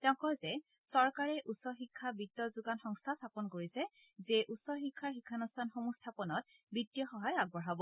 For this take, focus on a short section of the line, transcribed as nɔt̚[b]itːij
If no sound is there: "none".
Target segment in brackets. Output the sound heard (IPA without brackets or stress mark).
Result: b